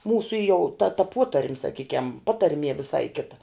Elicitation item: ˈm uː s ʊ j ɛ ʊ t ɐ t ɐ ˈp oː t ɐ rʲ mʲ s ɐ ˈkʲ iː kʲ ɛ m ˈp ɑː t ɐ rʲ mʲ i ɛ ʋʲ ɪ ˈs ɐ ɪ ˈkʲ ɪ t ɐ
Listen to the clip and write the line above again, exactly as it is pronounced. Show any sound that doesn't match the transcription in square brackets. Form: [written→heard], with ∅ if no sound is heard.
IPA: ˈm uː s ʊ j ɛ ʊ t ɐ t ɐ ˈp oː t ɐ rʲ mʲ s ɐ ˈkʲ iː kʲ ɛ m ˈp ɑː t ɐ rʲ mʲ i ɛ ʋʲ ɪ ˈs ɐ ɪ ˈkʲ ɪ t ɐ